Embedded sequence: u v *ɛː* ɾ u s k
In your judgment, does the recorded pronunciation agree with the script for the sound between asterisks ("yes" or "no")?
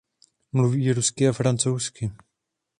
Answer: no